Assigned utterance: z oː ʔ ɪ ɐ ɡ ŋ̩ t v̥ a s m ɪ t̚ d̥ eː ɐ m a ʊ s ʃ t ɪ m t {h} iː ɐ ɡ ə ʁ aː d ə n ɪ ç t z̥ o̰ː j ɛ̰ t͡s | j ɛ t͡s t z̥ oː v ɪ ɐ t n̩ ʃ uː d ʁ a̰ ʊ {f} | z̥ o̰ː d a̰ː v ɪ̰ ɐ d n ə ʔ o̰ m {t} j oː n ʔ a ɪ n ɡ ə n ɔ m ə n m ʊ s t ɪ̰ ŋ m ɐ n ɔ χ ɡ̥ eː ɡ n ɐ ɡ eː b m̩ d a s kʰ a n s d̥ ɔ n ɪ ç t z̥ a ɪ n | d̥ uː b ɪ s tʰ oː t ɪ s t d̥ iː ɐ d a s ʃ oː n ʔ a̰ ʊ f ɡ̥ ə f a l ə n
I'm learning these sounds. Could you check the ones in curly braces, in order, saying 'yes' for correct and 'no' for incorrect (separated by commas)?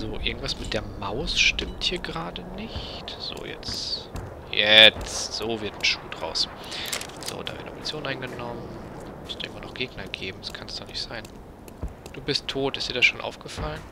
yes, no, no